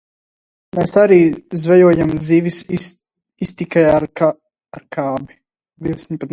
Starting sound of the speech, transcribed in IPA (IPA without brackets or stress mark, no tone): m